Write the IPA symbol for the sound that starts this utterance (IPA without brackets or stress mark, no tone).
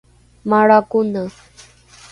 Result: m